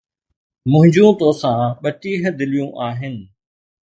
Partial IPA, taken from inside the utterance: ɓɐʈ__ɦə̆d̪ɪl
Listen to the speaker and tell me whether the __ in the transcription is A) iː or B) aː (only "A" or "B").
A